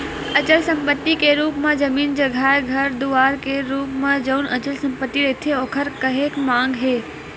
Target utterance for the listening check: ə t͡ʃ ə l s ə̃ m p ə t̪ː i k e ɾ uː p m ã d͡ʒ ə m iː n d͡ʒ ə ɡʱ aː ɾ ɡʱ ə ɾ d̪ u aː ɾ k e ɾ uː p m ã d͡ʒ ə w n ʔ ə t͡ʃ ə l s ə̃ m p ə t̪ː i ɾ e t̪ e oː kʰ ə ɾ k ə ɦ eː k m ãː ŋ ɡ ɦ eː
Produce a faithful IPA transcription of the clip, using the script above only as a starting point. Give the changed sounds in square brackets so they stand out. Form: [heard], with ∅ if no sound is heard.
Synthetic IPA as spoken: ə t͡ʃ ə l s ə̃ m p ə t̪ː i k e ɾ uː p m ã d͡ʒ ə m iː n d͡ʒ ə ɡʱ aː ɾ ɡʱ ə ɾ d̪ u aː ɾ k e ɾ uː p m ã d͡ʒ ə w n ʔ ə t͡ʃ ə l s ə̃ m p ə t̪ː i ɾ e [t̪ʰ] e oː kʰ ə ɾ k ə ɦ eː k m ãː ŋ ɡ ɦ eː